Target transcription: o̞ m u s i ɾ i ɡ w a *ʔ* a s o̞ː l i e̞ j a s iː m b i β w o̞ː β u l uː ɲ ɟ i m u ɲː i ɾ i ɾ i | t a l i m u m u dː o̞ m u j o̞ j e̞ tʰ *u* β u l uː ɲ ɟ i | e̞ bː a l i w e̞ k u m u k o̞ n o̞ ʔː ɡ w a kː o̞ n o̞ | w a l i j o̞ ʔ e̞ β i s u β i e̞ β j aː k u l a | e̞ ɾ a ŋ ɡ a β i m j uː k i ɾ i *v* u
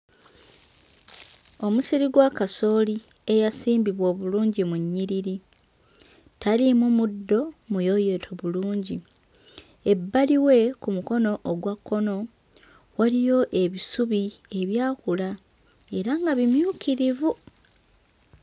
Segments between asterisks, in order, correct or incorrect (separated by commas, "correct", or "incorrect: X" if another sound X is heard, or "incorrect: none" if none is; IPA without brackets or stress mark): incorrect: k, incorrect: o, correct